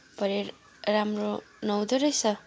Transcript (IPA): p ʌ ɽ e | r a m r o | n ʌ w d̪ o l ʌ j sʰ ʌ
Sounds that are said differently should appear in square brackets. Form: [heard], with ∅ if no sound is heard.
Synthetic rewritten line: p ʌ [ɾ] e | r a m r o | n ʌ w d̪ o [ɾ] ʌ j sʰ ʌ

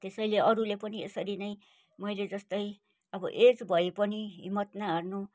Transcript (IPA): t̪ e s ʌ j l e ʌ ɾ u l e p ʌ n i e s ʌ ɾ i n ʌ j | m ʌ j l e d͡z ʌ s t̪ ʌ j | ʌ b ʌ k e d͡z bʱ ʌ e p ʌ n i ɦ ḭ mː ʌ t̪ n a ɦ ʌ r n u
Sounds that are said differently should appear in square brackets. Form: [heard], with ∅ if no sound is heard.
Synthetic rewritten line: t̪ e s ʌ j l e ʌ ɾ u l e p ʌ n i e s ʌ ɾ i n ʌ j | m ʌ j l e d͡z ʌ s t̪ ʌ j | ʌ b ʌ [ʔ] e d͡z bʱ ʌ e p ʌ n i ɦ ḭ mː ʌ t̪ n a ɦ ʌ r n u

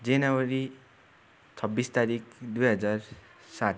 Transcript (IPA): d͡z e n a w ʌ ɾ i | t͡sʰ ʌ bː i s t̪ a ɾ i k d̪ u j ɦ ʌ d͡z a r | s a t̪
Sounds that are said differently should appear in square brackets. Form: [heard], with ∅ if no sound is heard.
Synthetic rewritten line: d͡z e n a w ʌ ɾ i | t͡sʰ ʌ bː i s t̪ a ɾ i k d̪ u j ɦ ʌ d͡z a r | s a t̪

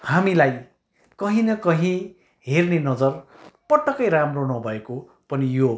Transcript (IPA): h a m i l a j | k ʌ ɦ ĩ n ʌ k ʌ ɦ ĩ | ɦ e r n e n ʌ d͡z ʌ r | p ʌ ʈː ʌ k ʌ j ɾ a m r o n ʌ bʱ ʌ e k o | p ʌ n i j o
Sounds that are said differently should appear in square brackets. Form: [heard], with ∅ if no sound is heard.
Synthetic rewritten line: h a m i l a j | k ʌ ɦ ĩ n ʌ k ʌ ɦ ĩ | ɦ e r n e n ʌ d͡z ʌ r | p ʌ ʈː ʌ k ʌ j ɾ a m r o n ʌ bʱ ʌ e k o | p ʌ n i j o

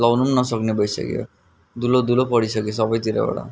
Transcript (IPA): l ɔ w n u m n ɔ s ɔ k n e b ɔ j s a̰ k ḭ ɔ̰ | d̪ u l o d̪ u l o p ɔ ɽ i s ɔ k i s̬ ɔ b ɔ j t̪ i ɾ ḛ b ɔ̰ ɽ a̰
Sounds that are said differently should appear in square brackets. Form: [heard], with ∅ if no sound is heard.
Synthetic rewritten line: l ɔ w n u m n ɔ s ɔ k n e b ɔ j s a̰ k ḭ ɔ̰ | d̪ u l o d̪ u l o p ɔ ɽ i s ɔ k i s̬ ɔ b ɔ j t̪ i ɾ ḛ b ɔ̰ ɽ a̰

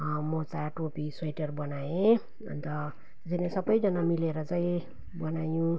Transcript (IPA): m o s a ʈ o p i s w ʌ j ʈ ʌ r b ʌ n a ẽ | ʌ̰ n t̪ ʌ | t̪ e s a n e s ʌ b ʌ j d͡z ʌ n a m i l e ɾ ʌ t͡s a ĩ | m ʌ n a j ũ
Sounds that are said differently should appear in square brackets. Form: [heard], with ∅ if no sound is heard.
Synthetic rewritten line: m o [t͡s] a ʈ o p i s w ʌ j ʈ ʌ r b ʌ n a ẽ | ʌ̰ n t̪ ʌ | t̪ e s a n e s ʌ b ʌ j d͡z ʌ n a m i l e ɾ ʌ t͡s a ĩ | [b] ʌ n a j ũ

